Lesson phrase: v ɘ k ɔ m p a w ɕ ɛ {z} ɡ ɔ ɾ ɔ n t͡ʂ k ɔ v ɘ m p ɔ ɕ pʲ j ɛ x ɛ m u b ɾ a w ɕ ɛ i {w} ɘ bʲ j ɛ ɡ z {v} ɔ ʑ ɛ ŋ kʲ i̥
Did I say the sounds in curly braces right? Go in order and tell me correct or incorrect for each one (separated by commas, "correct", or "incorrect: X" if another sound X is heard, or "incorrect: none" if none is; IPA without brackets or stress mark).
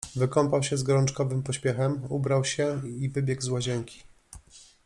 correct, incorrect: v, incorrect: w